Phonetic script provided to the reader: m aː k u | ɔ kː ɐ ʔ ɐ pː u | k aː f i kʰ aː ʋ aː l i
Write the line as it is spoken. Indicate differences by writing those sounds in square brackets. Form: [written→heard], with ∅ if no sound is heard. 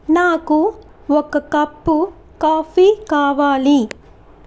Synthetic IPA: [m→n] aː k u | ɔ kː ɐ [ʔ→k] ɐ pː u | k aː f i [kʰ→k] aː ʋ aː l i